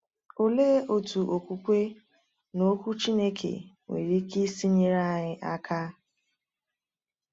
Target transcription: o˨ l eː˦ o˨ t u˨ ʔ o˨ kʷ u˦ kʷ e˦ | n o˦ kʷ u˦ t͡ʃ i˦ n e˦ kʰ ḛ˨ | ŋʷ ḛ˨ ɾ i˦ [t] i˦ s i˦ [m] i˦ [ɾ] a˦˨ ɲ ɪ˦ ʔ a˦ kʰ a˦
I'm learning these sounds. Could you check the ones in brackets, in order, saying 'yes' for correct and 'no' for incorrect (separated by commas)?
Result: no, no, yes